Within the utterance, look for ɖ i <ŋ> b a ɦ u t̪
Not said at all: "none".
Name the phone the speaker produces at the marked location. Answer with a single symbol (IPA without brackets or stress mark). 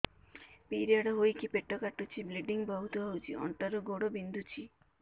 ŋ